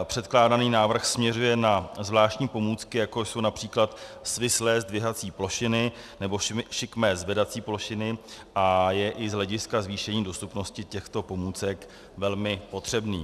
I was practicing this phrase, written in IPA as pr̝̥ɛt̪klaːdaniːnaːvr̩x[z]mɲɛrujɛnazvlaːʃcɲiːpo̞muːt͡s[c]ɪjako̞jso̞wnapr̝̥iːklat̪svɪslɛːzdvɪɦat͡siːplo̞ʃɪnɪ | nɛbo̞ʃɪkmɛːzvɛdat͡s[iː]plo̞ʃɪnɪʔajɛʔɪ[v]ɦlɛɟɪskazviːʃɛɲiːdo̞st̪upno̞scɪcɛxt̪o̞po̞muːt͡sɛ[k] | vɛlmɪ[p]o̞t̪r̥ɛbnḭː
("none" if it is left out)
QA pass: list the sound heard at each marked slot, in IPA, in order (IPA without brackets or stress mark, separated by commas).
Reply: s, k, iː, z, k, p